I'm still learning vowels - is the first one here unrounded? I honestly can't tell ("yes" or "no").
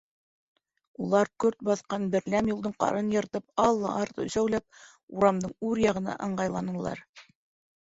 no